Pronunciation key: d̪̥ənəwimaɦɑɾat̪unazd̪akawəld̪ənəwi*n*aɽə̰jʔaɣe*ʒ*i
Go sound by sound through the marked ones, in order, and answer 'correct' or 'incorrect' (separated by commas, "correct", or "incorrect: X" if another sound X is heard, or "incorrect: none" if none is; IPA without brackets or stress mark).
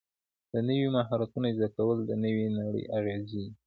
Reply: correct, incorrect: z